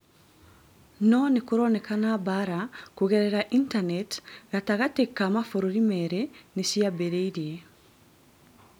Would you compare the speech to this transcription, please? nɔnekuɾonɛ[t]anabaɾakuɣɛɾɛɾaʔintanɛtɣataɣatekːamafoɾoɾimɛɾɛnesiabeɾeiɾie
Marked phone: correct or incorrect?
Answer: incorrect